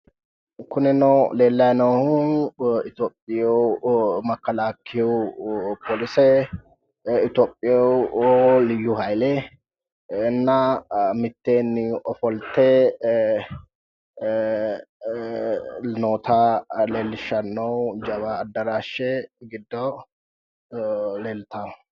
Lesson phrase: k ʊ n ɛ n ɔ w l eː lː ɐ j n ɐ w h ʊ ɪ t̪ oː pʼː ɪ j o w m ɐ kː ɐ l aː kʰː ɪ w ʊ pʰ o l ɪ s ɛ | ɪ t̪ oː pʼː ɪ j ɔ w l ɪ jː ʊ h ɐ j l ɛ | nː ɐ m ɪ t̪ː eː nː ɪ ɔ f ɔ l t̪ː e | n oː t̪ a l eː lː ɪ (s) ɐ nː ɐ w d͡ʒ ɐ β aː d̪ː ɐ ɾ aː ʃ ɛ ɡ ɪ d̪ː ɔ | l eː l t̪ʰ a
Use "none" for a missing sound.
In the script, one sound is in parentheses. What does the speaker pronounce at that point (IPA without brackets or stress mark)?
ʃ